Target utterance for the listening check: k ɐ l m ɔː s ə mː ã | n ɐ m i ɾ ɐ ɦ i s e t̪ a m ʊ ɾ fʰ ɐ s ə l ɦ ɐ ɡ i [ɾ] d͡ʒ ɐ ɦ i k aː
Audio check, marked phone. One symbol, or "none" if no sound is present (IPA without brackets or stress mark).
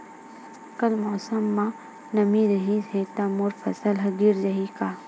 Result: ɾ